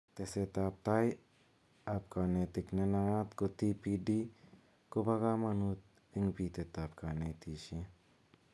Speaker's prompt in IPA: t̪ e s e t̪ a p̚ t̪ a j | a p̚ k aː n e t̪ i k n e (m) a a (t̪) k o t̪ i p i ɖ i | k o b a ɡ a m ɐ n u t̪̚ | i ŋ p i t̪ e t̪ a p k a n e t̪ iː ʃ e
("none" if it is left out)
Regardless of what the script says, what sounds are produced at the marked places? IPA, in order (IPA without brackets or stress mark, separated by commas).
n, t̪